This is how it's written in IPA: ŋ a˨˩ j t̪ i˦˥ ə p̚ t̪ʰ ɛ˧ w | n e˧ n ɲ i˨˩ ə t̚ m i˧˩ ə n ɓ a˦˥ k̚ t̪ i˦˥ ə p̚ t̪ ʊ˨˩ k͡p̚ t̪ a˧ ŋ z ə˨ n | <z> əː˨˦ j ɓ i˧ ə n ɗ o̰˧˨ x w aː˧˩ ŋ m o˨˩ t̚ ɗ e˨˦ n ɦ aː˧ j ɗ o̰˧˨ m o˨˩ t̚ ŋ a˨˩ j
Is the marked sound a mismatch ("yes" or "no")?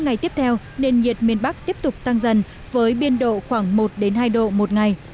yes